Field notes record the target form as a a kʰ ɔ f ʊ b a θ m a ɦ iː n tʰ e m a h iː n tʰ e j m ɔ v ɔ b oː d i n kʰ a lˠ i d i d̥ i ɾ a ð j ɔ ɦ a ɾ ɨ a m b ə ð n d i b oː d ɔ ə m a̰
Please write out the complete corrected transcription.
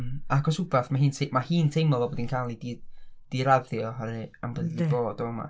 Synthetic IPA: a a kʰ ɔ s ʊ b a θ m a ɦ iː n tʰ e m a h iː n tʰ e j m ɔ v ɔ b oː d i n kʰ a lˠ i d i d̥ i ɾ a ð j ɔ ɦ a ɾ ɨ a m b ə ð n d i b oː d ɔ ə m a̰